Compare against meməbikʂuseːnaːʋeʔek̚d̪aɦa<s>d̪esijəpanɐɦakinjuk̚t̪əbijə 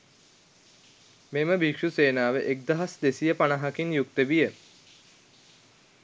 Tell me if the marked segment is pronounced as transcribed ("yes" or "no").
yes